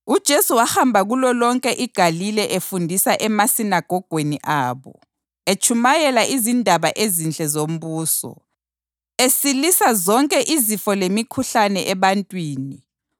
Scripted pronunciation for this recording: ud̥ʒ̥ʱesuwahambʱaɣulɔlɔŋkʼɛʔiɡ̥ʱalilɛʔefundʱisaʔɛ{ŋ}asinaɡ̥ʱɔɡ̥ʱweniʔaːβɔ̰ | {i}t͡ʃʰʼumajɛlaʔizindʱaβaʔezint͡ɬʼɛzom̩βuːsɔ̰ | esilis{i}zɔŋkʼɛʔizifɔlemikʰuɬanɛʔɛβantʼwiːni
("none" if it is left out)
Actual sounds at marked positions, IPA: m, e, a

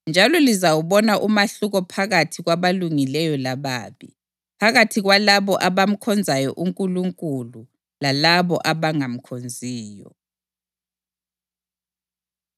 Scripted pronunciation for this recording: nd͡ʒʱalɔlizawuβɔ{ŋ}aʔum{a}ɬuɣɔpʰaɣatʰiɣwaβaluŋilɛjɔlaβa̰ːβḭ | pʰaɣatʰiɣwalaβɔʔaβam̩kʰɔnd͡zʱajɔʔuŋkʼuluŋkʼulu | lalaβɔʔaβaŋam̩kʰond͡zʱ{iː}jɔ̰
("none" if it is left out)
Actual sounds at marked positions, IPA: n, a, iː

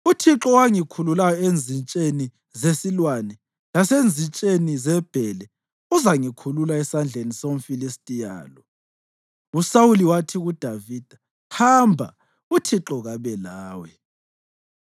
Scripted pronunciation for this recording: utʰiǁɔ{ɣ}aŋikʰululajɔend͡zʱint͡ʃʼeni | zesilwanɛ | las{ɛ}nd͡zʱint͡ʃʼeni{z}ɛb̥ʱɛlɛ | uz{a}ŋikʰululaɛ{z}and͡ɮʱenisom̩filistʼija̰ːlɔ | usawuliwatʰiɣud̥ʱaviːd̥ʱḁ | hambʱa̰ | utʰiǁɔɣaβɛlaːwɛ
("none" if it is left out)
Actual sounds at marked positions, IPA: w, e, z, a, s

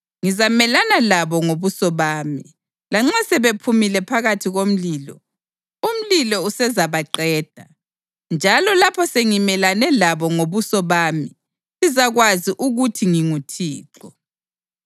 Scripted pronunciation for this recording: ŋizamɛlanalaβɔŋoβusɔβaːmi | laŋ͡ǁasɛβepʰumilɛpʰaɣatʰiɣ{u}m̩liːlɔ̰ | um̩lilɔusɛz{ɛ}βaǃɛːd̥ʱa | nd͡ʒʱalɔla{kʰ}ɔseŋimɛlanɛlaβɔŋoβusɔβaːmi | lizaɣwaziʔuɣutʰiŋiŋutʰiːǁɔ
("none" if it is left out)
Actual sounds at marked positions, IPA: o, a, pʰ

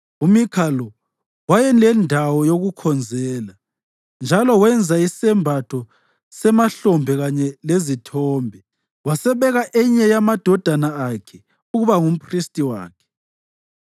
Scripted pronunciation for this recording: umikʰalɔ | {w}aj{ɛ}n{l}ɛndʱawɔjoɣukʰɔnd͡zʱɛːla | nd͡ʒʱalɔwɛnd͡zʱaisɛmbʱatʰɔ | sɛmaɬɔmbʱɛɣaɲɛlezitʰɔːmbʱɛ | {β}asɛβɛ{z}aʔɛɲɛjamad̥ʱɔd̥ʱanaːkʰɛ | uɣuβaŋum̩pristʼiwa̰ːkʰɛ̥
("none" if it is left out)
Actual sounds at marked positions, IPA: w, ɛ, l, w, ɣ

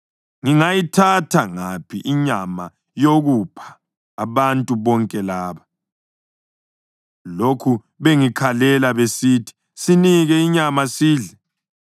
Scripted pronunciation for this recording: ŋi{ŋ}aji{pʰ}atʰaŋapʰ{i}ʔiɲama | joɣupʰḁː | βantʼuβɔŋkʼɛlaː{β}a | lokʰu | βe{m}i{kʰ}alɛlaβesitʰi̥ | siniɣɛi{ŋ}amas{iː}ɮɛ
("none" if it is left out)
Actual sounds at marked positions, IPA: ŋ, tʰ, i, β, ŋ, kʰ, ɲ, iː

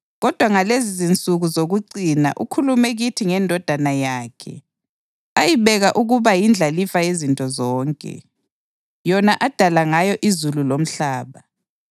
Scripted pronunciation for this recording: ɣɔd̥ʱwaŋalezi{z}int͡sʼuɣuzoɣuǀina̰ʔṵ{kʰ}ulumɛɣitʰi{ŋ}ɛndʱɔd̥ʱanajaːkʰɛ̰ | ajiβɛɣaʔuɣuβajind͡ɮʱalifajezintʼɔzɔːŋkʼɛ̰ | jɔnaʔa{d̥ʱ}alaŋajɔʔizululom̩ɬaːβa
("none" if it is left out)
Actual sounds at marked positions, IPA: z, kʰ, ŋ, d̥ʱ

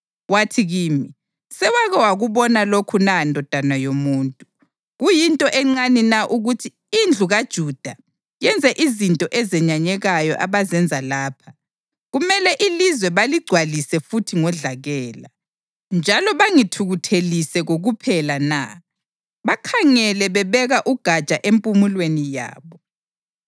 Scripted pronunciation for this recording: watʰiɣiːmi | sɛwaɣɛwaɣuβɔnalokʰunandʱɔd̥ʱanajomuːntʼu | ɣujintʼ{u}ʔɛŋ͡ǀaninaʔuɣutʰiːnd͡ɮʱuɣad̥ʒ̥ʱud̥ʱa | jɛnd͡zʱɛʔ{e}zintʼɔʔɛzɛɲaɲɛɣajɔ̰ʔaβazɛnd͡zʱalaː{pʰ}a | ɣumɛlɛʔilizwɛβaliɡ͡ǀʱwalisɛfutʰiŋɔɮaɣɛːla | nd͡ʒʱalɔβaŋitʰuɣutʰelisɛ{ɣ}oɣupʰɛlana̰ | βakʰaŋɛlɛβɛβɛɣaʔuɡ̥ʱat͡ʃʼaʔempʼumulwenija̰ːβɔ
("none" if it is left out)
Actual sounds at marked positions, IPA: ɔ, i, pʰ, ɣ

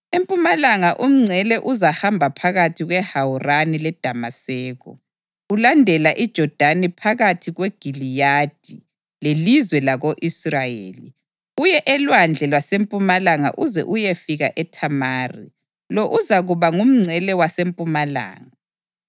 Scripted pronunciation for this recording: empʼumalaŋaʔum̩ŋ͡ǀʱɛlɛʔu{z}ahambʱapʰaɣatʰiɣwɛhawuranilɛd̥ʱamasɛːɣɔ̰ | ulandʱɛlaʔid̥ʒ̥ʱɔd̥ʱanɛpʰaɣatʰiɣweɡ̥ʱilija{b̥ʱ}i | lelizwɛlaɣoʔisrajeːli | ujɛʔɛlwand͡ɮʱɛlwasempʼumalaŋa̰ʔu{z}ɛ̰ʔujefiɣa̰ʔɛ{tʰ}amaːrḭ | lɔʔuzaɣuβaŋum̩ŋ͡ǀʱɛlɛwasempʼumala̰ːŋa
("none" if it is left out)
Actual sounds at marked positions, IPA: z, d̥ʱ, z, tʰ

